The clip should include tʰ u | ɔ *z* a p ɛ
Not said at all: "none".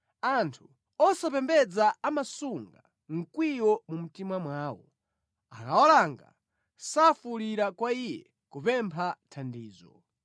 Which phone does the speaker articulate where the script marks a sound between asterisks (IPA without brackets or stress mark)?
s